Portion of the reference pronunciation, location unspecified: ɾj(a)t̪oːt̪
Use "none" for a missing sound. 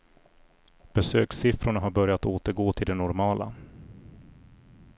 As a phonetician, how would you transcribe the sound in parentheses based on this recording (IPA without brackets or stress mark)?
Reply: a